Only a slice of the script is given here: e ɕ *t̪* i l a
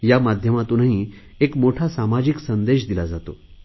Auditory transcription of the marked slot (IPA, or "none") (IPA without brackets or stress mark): d̪